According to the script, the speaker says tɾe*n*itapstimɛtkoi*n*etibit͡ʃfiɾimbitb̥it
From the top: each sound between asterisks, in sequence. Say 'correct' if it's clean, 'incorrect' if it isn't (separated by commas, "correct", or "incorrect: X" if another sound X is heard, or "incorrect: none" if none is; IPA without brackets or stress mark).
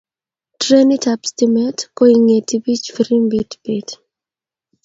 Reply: correct, incorrect: ŋ